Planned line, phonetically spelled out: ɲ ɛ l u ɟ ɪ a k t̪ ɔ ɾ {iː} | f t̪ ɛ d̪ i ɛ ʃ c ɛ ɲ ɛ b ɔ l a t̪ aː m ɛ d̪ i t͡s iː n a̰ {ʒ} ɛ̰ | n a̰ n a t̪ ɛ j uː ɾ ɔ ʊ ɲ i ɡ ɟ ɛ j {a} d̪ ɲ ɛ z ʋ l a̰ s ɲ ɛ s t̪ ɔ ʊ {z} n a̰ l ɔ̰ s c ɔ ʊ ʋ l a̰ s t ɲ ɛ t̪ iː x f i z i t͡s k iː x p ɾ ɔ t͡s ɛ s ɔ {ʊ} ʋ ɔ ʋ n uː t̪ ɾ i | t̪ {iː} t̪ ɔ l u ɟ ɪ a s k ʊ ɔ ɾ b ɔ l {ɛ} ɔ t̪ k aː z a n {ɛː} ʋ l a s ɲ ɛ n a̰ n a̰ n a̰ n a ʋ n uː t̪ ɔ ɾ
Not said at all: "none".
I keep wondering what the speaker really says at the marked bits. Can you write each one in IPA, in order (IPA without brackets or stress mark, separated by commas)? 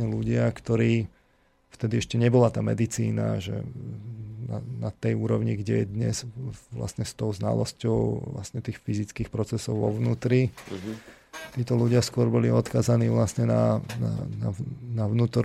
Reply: iː, ʒ, ɛ, z, ʊ, iː, i, iː